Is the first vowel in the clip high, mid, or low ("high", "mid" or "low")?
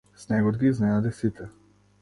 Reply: mid